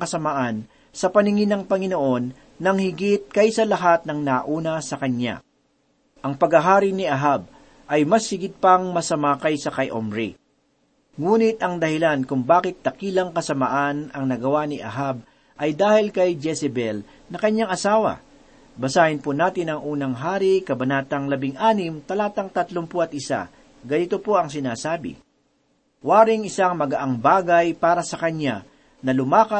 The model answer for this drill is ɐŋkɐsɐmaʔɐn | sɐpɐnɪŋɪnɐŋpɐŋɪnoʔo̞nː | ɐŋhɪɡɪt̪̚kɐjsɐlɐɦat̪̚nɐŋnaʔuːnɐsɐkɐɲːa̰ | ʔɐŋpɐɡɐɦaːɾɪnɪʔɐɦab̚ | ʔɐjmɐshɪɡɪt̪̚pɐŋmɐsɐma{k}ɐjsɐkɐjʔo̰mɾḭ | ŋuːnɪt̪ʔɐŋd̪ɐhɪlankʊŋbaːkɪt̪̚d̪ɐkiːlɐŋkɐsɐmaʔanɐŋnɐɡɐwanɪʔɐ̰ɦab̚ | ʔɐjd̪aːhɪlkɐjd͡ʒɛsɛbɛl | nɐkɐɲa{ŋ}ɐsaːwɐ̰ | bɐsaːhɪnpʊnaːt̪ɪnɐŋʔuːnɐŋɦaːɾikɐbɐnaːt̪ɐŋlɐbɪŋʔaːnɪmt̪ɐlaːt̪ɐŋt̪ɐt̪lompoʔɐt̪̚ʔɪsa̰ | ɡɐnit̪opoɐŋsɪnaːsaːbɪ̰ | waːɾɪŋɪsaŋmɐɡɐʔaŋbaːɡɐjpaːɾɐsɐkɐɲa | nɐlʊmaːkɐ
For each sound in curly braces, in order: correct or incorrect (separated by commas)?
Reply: correct, correct